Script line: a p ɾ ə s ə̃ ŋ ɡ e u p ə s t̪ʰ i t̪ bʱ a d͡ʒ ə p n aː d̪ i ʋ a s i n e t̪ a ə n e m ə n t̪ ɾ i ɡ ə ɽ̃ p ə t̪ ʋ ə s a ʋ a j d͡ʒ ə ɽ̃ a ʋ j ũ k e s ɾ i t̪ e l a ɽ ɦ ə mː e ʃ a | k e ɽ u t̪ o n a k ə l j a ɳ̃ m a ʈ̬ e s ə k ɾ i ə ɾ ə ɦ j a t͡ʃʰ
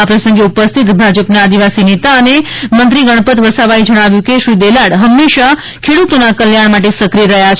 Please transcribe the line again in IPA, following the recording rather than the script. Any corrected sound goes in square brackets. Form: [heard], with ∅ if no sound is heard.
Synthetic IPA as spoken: a p ɾ ə s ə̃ ŋ ɡ e u p ə s t̪ʰ i t̪ bʱ a d͡ʒ ə p n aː d̪ i ʋ a s i n e t̪ a ə n e m ə n t̪ ɾ i ɡ ə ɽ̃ p ə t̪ ʋ ə s a ʋ a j d͡ʒ ə ɽ̃ a ʋ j ũ k e [ʃ] ɾ i [d̪] e l a ɽ ɦ ə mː e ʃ a | [kʰ] e ɽ u t̪ o n a k ə l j a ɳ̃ m a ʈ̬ e s ə k ɾ i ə ɾ ə ɦ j a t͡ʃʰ